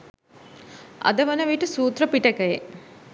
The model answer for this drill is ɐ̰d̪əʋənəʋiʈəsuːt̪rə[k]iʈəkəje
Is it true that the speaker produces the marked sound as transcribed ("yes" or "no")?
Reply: no